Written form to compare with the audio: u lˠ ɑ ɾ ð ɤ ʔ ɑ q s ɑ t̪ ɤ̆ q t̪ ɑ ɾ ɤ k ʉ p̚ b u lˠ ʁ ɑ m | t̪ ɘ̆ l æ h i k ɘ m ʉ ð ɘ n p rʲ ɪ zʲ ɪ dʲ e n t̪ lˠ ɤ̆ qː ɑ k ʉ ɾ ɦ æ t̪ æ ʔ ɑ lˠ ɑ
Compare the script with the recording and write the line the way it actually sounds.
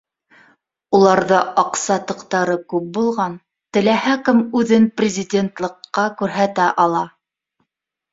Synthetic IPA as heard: u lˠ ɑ ɾ ð ɤ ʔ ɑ q s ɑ t̪ ɤ̆ q t̪ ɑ ɾ ɤ k ʉ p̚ b u lˠ ʁ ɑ n | t̪ ɘ̆ l æ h æ k ɘ m ʉ ð ɘ n p rʲ ɪ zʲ ɪ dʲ e n t̪ lˠ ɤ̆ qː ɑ k ʉ ɾ ɦ æ t̪ æ ʔ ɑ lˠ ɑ